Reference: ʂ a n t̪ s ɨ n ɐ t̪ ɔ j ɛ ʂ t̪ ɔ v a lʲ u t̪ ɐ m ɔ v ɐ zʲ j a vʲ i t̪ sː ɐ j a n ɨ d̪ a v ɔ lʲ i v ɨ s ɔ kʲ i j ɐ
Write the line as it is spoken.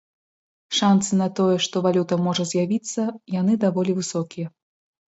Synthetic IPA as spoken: ʂ a n t̪ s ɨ n ɐ t̪ ɔ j ɛ ʂ t̪ ɔ v a lʲ u t̪ ɐ m ɔ ʐ ɐ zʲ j a vʲ i t̪ sː ɐ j a n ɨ d̪ a v ɔ lʲ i v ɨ s ɔ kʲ i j ɐ